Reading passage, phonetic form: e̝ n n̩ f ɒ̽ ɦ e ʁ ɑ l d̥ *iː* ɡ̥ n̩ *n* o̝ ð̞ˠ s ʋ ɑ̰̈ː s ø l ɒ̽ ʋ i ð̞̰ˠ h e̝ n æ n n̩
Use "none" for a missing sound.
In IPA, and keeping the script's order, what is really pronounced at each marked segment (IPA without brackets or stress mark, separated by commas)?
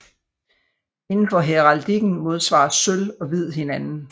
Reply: i, m